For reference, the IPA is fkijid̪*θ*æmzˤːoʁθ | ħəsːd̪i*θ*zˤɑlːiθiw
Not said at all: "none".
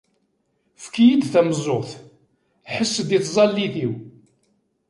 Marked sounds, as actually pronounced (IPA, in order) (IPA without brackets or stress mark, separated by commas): θ, θ